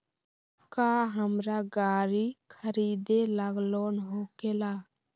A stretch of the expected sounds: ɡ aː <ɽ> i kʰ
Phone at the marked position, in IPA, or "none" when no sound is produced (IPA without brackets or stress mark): ɾ